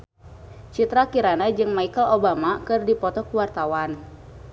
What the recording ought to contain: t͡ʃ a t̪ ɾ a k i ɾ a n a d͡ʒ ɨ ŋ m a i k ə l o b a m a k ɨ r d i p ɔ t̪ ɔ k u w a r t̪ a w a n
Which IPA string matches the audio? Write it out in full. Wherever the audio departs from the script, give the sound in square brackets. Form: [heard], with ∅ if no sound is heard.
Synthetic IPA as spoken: t͡ʃ [i] t̪ ɾ a k i ɾ a n a d͡ʒ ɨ ŋ m a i k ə l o b a m a k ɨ r d i p ɔ t̪ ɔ k u w a r t̪ a w a n